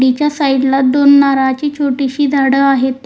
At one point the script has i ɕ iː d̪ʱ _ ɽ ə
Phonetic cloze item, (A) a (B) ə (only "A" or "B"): A